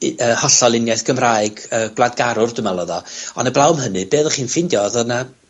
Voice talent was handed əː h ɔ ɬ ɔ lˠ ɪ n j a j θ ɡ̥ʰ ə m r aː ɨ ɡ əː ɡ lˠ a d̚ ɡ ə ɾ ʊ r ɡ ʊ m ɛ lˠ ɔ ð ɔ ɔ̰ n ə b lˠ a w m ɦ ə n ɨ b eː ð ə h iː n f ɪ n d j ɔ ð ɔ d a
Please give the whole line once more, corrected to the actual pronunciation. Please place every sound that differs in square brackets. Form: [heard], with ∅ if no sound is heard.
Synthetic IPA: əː h ɔ ɬ ɔ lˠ ɪ n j a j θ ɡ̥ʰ ə m r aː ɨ ɡ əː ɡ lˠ a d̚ ɡ [a] ɾ ʊ r [d] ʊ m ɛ lˠ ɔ ð ɔ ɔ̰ n ə b lˠ a w m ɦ ə n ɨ b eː ð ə [χ] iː n f ɪ n d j ɔ ð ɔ [n] a